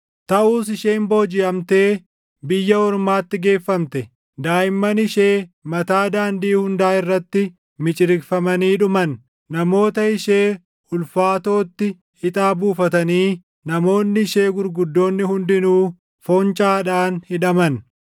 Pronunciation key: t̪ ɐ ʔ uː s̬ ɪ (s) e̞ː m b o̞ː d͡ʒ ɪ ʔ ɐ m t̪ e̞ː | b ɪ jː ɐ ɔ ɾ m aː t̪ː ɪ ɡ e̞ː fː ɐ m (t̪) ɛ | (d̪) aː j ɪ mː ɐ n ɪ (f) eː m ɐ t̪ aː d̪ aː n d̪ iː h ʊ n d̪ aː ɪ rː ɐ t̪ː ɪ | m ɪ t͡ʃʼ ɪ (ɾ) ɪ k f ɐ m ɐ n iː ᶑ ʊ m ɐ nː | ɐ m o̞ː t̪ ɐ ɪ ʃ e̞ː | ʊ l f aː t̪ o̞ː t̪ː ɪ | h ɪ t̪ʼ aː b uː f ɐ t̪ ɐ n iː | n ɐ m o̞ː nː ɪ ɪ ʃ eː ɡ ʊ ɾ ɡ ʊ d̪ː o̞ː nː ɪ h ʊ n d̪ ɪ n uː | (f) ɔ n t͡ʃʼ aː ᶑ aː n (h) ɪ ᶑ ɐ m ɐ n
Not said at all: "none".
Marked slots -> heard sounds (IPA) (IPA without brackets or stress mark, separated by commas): ʃ, t̪, d̪, ʃ, ɾ, f, h